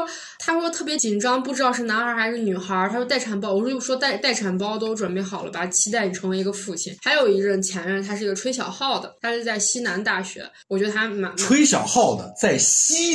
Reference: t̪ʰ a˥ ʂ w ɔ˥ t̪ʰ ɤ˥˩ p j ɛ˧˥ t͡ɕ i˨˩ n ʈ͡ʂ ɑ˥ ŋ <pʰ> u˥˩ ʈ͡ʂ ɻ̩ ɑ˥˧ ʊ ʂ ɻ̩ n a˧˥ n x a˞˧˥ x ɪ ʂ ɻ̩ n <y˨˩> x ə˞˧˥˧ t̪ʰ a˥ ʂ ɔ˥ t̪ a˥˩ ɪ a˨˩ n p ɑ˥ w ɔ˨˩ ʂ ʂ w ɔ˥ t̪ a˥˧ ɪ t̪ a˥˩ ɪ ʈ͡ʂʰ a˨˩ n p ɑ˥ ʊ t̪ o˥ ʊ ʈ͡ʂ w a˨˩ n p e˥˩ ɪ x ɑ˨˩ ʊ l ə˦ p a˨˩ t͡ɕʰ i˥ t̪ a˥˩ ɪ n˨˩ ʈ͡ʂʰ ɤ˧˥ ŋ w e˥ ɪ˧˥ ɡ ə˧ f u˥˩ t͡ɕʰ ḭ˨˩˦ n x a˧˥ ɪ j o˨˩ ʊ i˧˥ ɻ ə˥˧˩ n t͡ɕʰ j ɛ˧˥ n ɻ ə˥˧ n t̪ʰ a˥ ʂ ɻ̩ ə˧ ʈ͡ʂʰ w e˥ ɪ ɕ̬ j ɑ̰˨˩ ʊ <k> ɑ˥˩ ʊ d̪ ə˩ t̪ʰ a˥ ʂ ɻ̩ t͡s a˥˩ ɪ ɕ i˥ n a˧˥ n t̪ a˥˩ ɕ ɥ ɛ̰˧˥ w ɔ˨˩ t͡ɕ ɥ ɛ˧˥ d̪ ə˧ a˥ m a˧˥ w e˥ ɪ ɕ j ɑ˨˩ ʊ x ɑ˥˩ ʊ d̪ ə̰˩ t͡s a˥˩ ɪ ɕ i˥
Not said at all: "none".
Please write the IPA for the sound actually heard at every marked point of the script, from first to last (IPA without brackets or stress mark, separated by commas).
p, y˨˩, x